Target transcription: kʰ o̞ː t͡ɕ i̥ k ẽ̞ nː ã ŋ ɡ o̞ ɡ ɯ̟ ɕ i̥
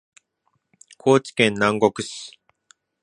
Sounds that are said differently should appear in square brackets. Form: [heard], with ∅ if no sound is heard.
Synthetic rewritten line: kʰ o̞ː t͡ɕ i̥ k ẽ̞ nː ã ŋ ɡ o̞ [k] ɯ̟ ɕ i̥